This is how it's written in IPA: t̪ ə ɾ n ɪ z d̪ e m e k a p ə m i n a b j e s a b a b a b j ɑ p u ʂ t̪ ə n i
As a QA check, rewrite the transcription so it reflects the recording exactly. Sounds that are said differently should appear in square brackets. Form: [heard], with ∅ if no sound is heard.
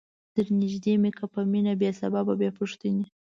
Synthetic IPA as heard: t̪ ə ɾ n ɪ [ʒ] d̪ e m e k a p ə m i n a b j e s a b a b a b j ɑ p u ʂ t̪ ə n i